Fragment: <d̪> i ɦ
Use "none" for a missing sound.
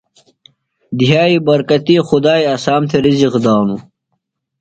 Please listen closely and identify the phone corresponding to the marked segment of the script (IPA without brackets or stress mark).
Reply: d̪